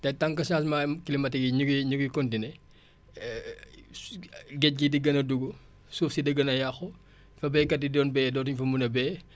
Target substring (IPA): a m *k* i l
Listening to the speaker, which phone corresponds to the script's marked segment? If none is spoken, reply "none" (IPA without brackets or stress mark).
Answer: k